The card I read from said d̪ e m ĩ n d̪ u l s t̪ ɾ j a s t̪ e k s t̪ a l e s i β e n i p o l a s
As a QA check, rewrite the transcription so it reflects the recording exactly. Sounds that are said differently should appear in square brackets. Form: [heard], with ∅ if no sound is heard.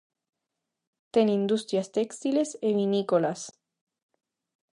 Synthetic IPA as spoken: [t̪] e [n] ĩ n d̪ u [∅] s t̪ ɾ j a s t̪ e k s t̪ [i] l e s [e] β [i] n i [k] o l a s